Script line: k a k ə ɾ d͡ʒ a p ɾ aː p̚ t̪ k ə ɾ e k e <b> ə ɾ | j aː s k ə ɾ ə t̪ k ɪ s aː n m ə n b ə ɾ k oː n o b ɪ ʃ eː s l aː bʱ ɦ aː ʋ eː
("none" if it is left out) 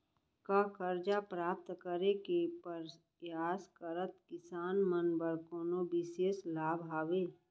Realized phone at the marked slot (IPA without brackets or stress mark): p